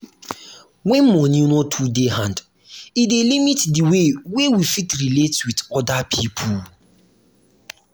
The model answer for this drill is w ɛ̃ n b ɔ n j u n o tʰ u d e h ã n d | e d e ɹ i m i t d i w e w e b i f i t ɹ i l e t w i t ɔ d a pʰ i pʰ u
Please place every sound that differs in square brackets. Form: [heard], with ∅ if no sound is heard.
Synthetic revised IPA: w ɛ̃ n [m] ɔ n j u n o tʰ u d e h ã n d | [i] d e [l] i m i t d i w e w e [w] i f i t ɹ i l e t w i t ɔ d a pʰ i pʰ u